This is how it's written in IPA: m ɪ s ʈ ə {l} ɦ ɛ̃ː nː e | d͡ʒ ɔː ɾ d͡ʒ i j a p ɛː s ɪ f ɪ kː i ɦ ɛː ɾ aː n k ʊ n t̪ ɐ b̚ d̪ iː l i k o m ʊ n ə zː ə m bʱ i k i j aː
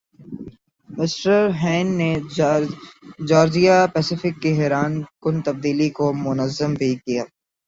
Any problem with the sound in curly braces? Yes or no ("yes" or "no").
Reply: yes